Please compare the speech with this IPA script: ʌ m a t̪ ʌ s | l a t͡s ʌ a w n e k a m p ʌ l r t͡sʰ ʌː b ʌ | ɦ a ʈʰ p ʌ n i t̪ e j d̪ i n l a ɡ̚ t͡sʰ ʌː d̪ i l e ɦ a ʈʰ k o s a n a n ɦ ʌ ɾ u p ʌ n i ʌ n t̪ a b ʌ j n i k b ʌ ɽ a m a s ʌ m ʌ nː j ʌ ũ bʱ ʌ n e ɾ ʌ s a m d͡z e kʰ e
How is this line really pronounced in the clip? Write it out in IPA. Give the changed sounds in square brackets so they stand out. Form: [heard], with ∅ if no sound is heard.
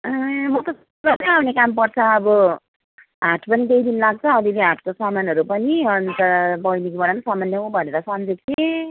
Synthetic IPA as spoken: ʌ m [ʌ] t̪ ʌ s | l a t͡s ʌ a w n e k a m p ʌ [∅] r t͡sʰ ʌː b ʌ | ɦ a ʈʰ p ʌ n i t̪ e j d̪ i n l a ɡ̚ t͡sʰ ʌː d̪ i l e ɦ a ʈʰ k o s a [m] a n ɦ ʌ ɾ u p ʌ n i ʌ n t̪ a b ʌ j n i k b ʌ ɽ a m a s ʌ m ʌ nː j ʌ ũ bʱ ʌ n e ɾ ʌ s [ʌ] m d͡z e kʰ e